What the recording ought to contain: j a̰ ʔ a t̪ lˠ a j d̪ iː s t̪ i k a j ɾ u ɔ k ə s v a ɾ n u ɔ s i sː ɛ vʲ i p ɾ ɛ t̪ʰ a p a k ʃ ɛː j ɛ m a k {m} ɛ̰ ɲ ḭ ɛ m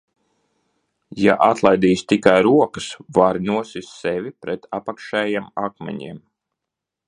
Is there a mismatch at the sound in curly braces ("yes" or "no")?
no